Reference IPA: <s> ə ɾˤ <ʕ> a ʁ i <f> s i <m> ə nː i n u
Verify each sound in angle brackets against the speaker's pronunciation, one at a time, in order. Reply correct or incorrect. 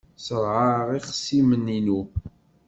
correct, correct, incorrect: χ, correct

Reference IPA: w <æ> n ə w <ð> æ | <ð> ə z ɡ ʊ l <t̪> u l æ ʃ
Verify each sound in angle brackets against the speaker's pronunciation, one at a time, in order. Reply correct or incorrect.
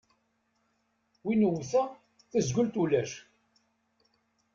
incorrect: i, incorrect: θ, incorrect: θ, correct

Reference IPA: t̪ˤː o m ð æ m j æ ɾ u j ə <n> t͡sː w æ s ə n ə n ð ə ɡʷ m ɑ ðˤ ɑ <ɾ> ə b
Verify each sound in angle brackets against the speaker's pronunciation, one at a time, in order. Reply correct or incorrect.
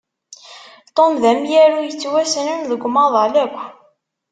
incorrect: none, incorrect: l

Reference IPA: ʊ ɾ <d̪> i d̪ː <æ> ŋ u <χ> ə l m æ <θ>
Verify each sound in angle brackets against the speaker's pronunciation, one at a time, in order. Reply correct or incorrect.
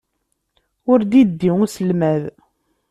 correct, incorrect: i, incorrect: s, incorrect: ð

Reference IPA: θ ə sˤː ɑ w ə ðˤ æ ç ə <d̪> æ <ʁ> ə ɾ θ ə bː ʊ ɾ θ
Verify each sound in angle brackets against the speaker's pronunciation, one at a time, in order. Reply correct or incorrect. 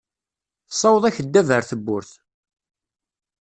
incorrect: d̪ː, incorrect: v

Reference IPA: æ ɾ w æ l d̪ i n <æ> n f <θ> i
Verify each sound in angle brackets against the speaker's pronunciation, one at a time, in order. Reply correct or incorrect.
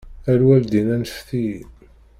correct, correct

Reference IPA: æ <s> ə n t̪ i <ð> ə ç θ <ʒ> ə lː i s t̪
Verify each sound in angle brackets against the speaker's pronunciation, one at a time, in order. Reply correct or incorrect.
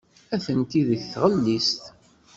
incorrect: θ, correct, incorrect: ʁ

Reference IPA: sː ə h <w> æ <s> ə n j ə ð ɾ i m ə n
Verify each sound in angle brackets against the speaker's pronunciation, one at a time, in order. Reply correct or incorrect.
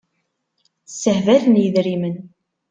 incorrect: v, incorrect: θ

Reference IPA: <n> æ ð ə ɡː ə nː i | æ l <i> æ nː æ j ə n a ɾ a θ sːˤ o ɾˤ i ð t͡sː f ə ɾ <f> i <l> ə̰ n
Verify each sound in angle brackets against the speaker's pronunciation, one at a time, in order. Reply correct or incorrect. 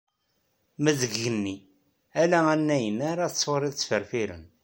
incorrect: m, incorrect: æ, correct, incorrect: ɾ

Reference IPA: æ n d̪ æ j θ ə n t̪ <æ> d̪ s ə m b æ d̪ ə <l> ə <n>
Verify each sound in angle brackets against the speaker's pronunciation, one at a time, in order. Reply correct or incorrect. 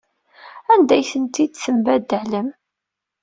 incorrect: i, correct, incorrect: m

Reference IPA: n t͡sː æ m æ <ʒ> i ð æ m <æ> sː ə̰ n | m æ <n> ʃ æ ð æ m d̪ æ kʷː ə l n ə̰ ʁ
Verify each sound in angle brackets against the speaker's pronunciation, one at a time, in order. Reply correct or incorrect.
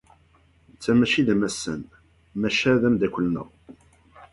incorrect: ʃ, correct, incorrect: none

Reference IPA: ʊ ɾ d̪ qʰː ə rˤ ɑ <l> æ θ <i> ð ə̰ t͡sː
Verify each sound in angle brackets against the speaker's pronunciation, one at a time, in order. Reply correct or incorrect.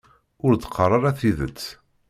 incorrect: ɾ, correct

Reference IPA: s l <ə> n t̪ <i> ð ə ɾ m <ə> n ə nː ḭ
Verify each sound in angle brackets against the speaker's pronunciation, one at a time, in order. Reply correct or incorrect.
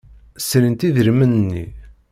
correct, correct, correct

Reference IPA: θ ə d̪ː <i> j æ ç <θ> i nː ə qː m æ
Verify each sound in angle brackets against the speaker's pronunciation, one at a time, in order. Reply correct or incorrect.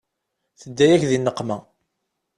incorrect: æ, incorrect: ð

